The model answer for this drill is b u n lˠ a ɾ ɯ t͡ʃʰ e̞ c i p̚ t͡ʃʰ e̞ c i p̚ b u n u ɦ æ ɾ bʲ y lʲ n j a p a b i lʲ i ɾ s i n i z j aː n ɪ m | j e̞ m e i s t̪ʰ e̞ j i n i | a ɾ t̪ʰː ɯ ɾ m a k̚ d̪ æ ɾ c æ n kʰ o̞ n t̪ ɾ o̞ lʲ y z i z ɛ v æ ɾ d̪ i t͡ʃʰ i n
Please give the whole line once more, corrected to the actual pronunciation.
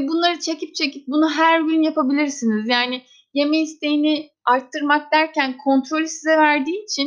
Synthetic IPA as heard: b u n lˠ a ɾ ɯ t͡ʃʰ e̞ c i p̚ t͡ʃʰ e̞ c i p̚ b u n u ɦ æ ɾ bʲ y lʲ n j a p a b i lʲ i ɾ s i n i z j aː n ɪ | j e̞ m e i s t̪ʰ e̞ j i n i | a ɾ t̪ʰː ɯ ɾ m a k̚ d̪ æ ɾ c æ n kʰ o̞ n t̪ ɾ o̞ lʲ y s i z ɛ v æ ɾ d̪ iː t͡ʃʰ i n